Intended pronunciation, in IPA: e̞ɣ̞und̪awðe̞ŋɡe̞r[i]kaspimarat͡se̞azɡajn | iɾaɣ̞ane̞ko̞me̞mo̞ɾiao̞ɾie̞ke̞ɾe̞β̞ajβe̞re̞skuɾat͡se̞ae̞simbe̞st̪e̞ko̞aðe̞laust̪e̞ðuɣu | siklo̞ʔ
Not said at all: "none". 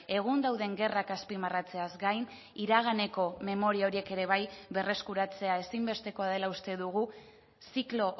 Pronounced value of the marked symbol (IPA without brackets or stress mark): a